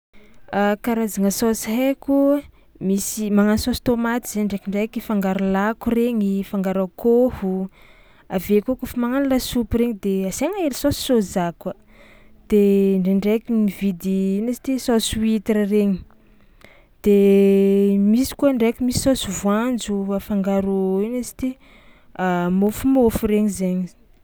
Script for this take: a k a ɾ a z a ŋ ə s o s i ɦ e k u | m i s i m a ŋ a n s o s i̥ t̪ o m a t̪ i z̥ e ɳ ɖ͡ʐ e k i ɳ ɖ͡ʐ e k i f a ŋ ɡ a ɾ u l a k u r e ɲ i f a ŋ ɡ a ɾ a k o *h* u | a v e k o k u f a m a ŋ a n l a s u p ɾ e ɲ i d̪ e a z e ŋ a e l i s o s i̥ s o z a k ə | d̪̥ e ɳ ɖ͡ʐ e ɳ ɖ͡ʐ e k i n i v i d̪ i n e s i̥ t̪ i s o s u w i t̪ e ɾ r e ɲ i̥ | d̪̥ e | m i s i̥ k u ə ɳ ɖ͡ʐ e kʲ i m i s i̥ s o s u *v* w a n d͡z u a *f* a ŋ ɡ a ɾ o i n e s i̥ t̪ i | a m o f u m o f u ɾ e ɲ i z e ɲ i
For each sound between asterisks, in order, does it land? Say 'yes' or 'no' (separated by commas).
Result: yes, yes, yes